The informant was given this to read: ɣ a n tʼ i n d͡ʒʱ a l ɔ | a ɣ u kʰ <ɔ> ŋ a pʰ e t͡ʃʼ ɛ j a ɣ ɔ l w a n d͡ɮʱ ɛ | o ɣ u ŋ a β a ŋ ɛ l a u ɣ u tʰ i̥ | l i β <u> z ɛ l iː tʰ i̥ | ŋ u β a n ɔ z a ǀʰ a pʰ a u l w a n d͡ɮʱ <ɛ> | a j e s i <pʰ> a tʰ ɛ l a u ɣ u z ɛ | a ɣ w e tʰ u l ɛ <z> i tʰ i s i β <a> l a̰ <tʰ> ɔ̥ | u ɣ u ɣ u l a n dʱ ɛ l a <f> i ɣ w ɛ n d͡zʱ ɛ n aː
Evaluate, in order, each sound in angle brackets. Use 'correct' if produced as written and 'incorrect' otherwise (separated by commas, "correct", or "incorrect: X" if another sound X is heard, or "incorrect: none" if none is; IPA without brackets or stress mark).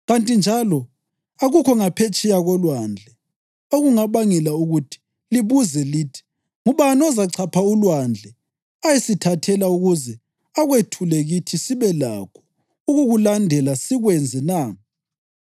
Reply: correct, correct, correct, incorrect: tʰ, incorrect: ɣ, incorrect: ɛ, incorrect: kʰ, incorrect: s